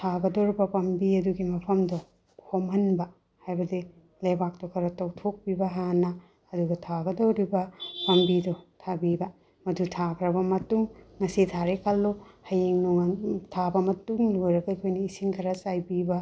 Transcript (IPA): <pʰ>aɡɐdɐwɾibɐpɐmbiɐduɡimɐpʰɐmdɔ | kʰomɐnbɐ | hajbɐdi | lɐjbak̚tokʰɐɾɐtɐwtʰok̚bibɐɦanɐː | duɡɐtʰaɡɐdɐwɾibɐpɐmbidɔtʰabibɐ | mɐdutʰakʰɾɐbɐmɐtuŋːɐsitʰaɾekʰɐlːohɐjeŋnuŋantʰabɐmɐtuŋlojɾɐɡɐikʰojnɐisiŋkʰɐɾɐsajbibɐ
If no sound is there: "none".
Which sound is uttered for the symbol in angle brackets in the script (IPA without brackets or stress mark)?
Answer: tʰ